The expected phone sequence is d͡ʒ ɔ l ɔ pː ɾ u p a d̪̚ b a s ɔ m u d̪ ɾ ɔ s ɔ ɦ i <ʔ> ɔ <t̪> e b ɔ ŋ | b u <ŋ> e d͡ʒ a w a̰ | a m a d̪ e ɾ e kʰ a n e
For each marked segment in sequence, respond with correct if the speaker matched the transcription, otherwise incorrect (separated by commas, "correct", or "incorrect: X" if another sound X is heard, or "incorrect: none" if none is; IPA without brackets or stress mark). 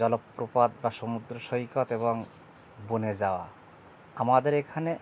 incorrect: k, correct, incorrect: n